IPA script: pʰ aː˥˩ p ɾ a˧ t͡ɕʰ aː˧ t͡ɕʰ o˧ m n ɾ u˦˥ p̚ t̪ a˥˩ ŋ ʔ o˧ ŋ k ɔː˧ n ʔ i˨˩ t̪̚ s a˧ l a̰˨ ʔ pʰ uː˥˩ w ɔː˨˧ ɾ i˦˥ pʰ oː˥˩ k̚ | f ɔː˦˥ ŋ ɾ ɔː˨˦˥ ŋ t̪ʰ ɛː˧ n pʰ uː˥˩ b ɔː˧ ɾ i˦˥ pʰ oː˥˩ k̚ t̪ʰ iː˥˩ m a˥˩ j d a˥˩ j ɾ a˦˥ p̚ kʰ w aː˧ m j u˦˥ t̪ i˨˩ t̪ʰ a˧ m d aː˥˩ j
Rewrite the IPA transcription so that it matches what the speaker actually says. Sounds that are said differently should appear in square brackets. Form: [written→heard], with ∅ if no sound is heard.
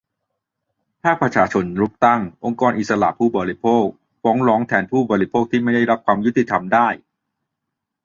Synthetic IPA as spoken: pʰ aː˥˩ p ɾ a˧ t͡ɕʰ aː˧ t͡ɕʰ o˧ [m→∅] n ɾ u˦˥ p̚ t̪ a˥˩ ŋ ʔ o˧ ŋ k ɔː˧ n ʔ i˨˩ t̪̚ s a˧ l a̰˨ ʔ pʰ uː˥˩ [w→b] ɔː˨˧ ɾ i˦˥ pʰ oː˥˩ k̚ | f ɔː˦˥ ŋ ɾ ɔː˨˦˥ ŋ t̪ʰ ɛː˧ n pʰ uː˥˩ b ɔː˧ ɾ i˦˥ pʰ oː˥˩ k̚ t̪ʰ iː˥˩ m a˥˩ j d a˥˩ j ɾ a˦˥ p̚ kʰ w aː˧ m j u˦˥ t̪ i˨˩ t̪ʰ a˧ m d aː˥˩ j